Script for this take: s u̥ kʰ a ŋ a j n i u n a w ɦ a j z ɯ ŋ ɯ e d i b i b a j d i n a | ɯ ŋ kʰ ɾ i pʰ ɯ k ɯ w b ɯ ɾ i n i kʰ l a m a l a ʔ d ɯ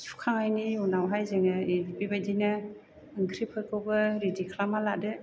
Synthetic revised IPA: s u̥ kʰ a ŋ a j n i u n a w ɦ a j z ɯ ŋ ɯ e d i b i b a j d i n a | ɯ ŋ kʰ ɾ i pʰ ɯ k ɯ w b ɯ ɾ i d i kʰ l a m a l a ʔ d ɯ